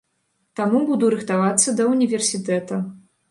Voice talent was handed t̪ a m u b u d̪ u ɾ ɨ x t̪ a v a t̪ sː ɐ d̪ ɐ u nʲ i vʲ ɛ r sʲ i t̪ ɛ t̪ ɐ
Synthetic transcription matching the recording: t̪ a m u b u d̪ u ɾ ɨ x t̪ a v a t̪ sː ɐ d̪ ɐ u nʲ i vʲ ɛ r sʲ i t̪ ɛ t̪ ɐ

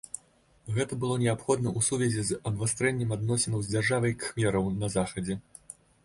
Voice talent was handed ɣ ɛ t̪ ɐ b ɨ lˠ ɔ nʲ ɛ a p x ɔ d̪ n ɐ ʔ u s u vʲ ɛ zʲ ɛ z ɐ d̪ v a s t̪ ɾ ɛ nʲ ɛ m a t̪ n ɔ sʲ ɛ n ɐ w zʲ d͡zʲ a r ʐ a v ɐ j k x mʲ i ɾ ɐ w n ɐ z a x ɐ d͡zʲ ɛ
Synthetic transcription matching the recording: ɣ ɛ t̪ ɐ b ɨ lˠ ɔ nʲ ɛ a p x ɔ d̪ n ɐ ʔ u s u vʲ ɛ zʲ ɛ z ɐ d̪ v a s t̪ ɾ ɛ nʲː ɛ m a d̪ n ɔ sʲ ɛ n ɐ w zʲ d͡zʲ a r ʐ a v ɐ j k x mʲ ɛ ɾ ɐ w n ɐ z a x ɐ d͡zʲ ɛ

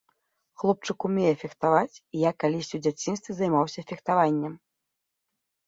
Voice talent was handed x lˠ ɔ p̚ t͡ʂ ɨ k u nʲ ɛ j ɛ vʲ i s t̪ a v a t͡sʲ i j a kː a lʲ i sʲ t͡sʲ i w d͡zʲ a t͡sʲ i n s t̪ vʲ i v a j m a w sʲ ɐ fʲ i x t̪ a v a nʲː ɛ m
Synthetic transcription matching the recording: x lˠ ɔ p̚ t͡ʂ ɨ k u mʲ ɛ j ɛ fʲ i x t̪ a v a t͡sʲ i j a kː a lʲ i sʲ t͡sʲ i w d͡zʲ a t͡sʲ i n s t̪ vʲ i z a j m a w sʲ ɐ fʲ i x t̪ a v a nʲː ɛ m

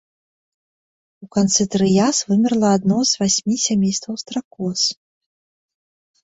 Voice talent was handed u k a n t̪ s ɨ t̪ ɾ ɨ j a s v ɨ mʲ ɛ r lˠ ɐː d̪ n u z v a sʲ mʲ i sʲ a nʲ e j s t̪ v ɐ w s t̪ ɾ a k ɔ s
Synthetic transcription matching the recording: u k a n t̪ s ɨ t̪ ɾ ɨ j a s v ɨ mʲ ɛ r lˠ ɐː d̪ n ɔ z v a sʲ mʲ i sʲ a mʲ e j s t̪ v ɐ w s t̪ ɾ a k ɔ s

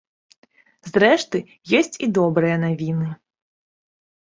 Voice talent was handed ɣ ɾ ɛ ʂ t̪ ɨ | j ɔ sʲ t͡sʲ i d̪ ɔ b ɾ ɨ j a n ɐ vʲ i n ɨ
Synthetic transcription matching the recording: z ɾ ɛ ʂ t̪ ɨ | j ɔ sʲ t͡sʲ i d̪ ɔ b ɾ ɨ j ɐ n a vʲ i n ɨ

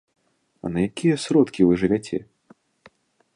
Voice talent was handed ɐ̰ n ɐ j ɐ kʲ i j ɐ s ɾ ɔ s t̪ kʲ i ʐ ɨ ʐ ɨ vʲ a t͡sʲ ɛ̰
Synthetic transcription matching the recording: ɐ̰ n ɐ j a kʲ i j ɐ s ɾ ɔ t̪ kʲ i v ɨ ʐ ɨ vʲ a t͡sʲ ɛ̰

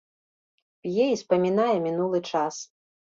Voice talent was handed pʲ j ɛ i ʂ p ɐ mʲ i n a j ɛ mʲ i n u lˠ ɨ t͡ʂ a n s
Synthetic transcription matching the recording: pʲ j ɛ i s p ɐ mʲ i n a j ɛ mʲ i n u lˠ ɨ t͡ʂ a s

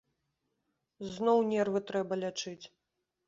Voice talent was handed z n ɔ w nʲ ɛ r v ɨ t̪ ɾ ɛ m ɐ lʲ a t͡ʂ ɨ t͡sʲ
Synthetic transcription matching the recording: z n ɔ w nʲ ɛ r v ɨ t̪ ɾ ɛ b ɐ lʲ a t͡ʂ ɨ t͡sʲ

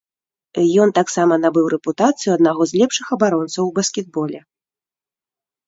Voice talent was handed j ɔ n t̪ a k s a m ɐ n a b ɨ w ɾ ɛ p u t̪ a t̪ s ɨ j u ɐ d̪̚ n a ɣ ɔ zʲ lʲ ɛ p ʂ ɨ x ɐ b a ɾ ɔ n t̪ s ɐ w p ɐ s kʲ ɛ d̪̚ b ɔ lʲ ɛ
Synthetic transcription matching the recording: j ɔ n t̪ a k s a m ɐ n a b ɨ w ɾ ɛ p u t̪ a t̪ s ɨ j u ɐ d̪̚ n a ɣ ɔ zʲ lʲ ɛ p ʂ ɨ x ɐ b a ɾ ɔ n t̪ s ɐ w b ɐ s kʲ ɛ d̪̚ b ɔ lʲ ɛ

